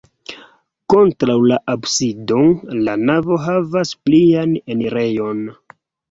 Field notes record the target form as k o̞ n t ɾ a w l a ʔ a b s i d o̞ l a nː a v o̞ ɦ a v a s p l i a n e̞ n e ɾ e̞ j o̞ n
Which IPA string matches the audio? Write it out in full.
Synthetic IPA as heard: k o̞ n t ɾ a w l a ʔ a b s i d o̞ l a n a v o̞ ɦ a v a s p l i a n e̞ n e ɾ e̞ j o̞ n